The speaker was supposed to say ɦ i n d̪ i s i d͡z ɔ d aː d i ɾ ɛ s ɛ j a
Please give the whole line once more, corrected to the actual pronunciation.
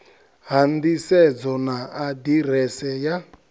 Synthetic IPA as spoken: ɦ a n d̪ i s ɛ d͡z ɔ n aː d i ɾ ɛ s ɛ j a